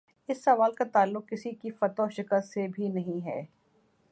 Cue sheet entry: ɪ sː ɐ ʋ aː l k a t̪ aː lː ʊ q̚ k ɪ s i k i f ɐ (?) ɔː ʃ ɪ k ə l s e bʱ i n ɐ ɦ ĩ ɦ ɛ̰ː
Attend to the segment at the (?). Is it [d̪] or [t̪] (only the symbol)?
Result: t̪